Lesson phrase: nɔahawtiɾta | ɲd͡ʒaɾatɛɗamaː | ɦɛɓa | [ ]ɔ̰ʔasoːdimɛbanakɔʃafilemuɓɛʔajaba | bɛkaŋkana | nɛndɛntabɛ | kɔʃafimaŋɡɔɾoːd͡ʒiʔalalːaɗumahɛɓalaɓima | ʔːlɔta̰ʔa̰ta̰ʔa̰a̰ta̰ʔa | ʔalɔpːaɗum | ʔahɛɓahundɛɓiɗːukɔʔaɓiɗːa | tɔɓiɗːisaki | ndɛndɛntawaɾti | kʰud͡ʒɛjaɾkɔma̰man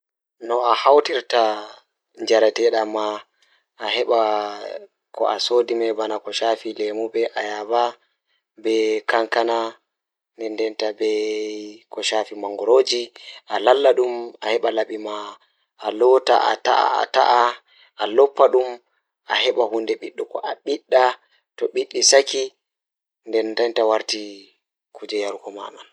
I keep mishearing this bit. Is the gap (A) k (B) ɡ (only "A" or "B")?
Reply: A